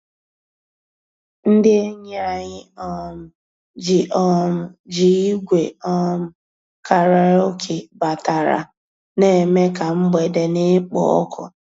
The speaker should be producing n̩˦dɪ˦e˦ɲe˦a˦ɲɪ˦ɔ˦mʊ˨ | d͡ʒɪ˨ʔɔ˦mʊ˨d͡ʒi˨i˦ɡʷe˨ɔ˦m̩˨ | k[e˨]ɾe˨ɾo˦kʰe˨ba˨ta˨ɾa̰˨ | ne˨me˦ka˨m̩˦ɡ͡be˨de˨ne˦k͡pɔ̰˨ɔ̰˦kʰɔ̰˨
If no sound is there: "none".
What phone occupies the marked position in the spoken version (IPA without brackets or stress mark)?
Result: a˨